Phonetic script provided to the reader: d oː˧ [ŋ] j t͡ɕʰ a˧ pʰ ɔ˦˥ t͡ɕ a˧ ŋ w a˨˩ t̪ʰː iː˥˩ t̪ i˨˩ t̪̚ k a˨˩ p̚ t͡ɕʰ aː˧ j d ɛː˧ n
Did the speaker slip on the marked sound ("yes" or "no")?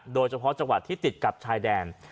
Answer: yes